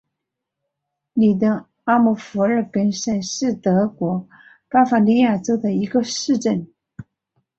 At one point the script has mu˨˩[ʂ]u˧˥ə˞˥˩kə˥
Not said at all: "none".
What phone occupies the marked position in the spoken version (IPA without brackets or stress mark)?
f